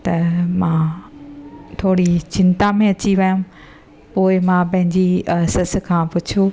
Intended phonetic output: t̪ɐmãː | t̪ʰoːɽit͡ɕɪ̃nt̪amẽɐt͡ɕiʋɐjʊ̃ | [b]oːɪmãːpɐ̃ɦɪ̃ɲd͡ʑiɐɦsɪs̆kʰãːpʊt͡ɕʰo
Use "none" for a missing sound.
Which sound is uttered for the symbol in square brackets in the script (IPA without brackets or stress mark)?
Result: p